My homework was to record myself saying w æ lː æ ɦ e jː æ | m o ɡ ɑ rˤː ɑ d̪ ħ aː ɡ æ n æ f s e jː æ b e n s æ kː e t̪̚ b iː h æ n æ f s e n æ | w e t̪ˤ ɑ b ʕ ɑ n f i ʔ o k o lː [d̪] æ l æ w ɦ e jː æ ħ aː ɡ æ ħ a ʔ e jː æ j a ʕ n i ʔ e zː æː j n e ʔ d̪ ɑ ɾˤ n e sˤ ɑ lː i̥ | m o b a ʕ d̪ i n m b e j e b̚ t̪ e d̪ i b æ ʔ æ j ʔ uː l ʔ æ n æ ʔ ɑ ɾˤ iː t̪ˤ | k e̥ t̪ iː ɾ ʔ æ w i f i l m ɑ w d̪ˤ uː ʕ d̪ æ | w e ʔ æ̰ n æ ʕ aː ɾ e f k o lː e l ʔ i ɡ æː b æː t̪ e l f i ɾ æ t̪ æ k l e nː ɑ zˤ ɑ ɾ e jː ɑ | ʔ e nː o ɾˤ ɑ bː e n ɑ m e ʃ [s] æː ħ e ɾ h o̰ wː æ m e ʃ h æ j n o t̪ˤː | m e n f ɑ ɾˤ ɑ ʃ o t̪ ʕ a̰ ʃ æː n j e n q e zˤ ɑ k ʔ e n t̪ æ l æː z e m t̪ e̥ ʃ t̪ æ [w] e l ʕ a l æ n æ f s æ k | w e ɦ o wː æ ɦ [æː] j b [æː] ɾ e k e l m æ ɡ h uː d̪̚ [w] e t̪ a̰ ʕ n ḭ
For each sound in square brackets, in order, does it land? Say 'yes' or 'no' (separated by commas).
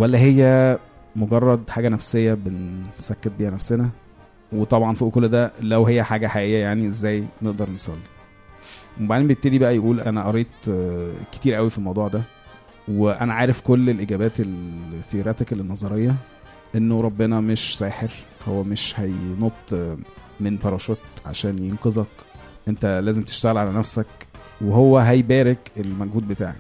yes, yes, no, no, yes, no